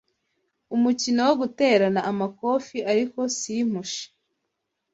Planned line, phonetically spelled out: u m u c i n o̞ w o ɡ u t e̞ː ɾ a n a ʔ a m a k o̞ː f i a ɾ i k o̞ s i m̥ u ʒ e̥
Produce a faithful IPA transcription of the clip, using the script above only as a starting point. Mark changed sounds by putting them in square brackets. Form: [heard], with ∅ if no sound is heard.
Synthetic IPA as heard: u m u c i n o̞ w o ɡ u t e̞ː ɾ a n a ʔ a m a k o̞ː f i a ɾ i k o̞ s i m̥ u [ʃ] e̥